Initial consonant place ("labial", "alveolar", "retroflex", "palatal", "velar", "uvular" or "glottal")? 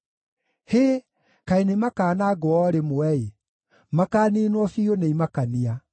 glottal